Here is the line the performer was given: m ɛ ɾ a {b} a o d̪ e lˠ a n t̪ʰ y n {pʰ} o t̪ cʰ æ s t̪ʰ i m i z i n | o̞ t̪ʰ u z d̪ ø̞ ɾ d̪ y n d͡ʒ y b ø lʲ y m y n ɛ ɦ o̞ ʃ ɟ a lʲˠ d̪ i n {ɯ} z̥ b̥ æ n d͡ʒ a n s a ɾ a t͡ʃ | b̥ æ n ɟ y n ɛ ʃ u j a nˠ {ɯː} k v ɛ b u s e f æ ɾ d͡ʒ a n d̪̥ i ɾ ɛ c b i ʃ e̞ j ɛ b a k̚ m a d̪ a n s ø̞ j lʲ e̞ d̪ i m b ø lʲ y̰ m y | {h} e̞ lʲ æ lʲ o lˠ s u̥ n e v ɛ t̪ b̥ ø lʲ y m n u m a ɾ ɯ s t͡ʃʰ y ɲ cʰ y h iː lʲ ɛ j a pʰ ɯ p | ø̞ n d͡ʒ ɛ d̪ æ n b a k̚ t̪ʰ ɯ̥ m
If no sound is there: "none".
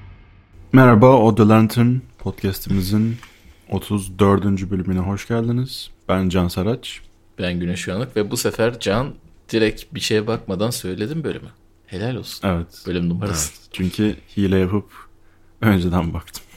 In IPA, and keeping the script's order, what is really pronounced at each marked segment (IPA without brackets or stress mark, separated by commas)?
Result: b, pʰ, ɯ, ɯ, h